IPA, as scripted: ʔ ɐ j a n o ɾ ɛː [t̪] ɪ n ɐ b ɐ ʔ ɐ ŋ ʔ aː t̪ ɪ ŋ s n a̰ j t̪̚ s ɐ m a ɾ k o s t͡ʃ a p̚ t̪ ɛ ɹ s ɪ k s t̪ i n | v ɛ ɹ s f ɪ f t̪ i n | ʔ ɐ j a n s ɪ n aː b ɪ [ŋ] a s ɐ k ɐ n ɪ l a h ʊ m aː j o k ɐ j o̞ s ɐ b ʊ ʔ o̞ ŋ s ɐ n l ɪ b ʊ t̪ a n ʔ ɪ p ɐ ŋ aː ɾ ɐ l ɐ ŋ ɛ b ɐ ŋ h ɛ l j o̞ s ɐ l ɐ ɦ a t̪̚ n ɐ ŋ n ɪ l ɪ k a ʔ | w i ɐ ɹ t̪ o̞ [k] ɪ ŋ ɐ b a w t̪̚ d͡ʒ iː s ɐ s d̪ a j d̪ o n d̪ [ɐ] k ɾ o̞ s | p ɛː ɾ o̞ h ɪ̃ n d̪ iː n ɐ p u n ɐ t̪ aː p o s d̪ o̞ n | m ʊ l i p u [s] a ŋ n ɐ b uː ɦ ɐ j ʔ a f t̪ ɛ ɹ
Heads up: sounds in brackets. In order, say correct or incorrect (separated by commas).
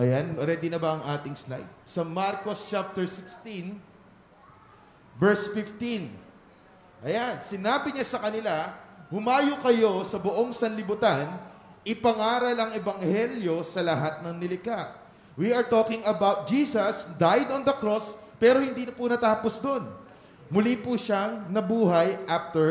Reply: incorrect, incorrect, correct, correct, incorrect